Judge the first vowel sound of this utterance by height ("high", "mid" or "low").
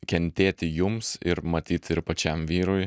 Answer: mid